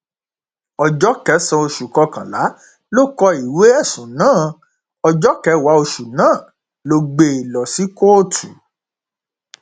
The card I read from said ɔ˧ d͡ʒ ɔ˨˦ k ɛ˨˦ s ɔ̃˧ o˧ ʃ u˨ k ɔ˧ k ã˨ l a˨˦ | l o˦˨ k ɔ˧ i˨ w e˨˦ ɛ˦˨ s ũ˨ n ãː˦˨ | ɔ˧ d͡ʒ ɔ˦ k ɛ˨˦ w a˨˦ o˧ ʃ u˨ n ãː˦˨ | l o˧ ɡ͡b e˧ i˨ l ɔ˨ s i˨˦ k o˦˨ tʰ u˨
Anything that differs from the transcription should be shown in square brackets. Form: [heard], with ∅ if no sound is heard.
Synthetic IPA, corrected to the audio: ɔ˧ d͡ʒ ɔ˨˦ k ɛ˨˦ s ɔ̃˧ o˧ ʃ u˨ k ɔ˧ k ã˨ l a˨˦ | l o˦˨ k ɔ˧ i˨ w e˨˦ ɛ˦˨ s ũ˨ n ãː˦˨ | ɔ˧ d͡ʒ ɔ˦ k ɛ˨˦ w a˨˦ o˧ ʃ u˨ n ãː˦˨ | l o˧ ɡ͡b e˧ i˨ l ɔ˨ s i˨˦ k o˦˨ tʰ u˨

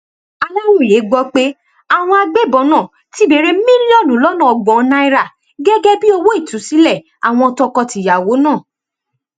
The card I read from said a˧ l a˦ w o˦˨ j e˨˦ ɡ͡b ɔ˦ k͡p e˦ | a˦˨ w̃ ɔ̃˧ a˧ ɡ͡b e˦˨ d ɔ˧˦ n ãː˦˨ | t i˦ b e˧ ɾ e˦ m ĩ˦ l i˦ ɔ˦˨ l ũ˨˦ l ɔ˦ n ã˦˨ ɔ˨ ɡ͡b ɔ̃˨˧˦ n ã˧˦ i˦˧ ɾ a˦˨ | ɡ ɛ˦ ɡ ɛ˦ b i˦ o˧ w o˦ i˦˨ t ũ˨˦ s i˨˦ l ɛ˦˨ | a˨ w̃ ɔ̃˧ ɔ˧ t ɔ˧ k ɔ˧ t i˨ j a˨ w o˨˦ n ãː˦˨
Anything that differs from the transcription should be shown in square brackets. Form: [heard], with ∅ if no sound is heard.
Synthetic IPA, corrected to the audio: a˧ l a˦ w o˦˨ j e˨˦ ɡ͡b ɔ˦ k͡p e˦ | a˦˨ w̃ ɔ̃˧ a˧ ɡ͡b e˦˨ [b] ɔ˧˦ n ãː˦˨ | t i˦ b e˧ ɾ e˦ m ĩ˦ l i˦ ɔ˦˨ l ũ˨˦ l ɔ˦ n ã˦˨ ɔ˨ ɡ͡b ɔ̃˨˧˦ n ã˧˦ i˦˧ ɾ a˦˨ | ɡ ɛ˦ ɡ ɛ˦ b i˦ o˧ w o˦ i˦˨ t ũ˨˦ s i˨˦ l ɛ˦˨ | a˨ w̃ ɔ̃˧ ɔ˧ t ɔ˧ k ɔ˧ t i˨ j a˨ w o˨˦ n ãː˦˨

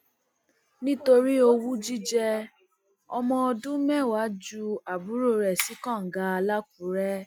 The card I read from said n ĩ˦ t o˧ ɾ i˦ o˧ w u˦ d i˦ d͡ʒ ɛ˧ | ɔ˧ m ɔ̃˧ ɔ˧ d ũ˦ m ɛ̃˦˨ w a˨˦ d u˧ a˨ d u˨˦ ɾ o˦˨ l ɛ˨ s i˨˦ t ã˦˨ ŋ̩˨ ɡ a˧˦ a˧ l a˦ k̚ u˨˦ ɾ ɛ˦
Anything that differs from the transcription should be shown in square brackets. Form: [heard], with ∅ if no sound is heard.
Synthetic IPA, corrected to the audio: n ĩ˦ t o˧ ɾ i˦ o˧ w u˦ [d͡ʒ] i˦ d͡ʒ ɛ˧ | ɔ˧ m ɔ̃˧ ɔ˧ d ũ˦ m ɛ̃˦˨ w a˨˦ [d͡ʒ] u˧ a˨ [b] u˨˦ ɾ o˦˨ [ɾ] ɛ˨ s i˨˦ [k] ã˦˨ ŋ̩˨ ɡ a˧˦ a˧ l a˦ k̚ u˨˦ ɾ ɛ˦

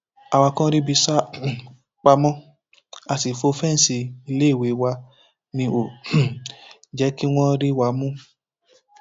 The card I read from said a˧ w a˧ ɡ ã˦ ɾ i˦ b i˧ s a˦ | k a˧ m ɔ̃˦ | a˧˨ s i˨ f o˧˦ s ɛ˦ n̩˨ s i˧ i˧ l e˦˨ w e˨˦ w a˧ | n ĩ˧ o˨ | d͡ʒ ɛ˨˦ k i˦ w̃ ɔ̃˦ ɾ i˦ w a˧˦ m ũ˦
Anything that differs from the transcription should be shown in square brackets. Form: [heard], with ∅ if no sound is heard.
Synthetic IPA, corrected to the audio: a˧ w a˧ [k] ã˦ ɾ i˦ b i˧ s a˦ | [k͡p] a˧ m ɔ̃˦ | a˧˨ s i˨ f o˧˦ [f] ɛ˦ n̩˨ s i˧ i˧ l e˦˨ w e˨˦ w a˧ | n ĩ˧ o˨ | d͡ʒ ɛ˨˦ k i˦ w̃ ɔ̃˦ ɾ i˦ w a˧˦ m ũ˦

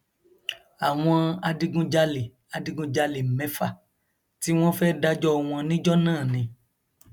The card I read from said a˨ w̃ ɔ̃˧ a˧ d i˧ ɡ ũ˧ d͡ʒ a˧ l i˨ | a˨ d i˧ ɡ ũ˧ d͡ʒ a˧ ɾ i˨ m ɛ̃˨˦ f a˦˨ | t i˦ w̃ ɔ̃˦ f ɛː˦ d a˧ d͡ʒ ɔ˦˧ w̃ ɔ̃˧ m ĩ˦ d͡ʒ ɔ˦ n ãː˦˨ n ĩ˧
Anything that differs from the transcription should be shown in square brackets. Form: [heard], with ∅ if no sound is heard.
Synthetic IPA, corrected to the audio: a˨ w̃ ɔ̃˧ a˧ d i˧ ɡ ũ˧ d͡ʒ a˧ l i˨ | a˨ d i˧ ɡ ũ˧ d͡ʒ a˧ [l] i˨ m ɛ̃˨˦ f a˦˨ | t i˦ w̃ ɔ̃˦ f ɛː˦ d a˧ d͡ʒ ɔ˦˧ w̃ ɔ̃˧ [n] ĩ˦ d͡ʒ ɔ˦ n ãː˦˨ n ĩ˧

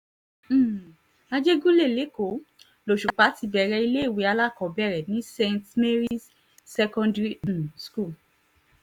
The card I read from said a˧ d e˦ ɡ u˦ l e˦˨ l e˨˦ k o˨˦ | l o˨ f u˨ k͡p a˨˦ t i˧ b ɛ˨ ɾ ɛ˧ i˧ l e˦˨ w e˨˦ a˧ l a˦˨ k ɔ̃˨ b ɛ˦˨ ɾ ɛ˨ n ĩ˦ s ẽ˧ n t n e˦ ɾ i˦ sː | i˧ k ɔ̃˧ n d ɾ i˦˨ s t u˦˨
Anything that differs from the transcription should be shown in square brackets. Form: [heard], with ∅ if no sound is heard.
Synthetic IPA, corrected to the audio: a˧ [d͡ʒ] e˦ ɡ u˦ l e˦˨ l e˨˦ k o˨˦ | l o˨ [ʃ] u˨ k͡p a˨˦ t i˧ b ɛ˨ ɾ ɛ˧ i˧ l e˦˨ w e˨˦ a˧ l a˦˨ k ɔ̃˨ b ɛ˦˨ ɾ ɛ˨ n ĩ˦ s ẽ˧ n t [m] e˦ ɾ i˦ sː | [ɛ˧] k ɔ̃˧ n d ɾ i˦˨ s [k] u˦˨

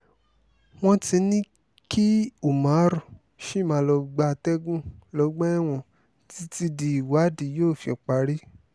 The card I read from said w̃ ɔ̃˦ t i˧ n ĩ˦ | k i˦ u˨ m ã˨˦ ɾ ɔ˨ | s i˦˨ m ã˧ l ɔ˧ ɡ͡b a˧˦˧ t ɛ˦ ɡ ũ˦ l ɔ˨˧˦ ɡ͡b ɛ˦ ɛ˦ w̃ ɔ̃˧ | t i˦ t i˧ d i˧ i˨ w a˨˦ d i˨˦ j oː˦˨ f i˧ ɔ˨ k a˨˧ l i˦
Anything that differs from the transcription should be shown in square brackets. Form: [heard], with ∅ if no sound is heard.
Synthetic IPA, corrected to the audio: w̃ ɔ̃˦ t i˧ n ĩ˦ | k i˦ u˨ m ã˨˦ ɾ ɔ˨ | [ʃ] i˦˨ m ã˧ l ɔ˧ ɡ͡b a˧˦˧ t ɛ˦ ɡ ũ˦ l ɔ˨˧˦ ɡ͡b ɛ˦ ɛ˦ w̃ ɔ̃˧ | t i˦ t i˧ d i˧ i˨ w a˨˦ d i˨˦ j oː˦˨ f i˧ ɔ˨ [k͡p] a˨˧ [ɾ] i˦

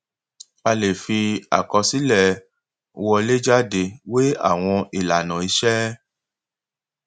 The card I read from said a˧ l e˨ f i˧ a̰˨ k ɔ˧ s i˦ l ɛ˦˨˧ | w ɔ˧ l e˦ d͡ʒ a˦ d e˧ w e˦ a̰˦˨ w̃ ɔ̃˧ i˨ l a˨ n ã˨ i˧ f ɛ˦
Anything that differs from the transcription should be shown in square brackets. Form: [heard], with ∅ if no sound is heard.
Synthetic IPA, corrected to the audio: a˧ l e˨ f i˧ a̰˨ k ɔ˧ s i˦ l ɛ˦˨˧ | w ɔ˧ l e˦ d͡ʒ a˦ d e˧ w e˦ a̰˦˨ w̃ ɔ̃˧ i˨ l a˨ n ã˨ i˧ [ʃ] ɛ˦

